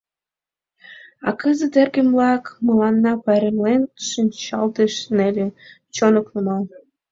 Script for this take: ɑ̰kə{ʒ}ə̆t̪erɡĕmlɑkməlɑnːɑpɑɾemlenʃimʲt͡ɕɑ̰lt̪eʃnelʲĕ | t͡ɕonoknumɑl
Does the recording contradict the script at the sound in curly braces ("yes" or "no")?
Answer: yes